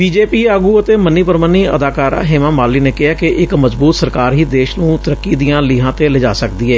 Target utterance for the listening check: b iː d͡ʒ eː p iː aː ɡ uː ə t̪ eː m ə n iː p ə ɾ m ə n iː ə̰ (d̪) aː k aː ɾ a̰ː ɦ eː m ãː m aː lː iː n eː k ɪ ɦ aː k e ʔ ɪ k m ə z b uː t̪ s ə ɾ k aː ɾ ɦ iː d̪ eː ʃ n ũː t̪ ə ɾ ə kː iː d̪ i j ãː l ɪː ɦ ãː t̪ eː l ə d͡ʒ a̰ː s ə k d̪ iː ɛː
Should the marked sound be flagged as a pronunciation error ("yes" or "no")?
no